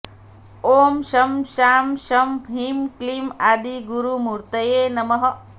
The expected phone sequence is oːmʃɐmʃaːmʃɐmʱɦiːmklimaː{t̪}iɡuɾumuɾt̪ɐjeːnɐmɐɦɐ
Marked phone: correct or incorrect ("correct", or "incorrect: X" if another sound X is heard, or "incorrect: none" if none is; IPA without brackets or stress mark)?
incorrect: d̪